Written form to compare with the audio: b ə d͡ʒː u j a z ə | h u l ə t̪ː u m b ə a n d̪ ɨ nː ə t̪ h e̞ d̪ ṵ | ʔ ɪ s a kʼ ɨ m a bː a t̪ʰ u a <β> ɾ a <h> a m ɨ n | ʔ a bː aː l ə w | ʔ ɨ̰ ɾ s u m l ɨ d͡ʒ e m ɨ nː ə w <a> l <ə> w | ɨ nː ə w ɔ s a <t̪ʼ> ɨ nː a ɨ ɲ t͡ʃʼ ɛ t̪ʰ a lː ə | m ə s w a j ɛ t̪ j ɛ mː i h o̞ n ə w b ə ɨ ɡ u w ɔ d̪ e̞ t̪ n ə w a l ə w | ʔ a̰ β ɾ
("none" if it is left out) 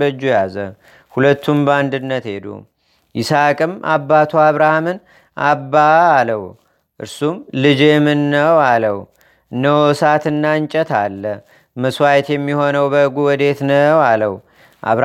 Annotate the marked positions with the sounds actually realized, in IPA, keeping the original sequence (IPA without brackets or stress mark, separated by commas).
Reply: β, h, a, ə, t̪